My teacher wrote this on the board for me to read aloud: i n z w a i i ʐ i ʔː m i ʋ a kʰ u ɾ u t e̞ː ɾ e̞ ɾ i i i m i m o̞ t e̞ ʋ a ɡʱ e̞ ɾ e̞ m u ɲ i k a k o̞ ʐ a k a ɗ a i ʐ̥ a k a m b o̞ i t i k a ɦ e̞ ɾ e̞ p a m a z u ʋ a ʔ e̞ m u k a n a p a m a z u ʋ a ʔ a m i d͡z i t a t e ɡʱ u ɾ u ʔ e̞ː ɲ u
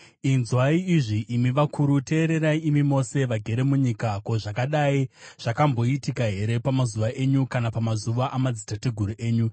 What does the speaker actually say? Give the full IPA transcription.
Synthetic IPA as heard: i n z w a i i ʐ i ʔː m i ʋ a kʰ u ɾ u t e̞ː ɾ e̞ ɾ a i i m i m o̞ s e̞ ʋ a ɡʱ e̞ ɾ e̞ m u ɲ i k a k o̞ ʐ a k a ɗ a i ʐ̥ a k a m b o̞ i t i k a ɦ e̞ ɾ e̞ p a m a z u ʋ a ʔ e̞ ɲ u k a n a p a m a z u ʋ a ʔ a m a d͡z i t a t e ɡʱ u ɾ u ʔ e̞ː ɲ u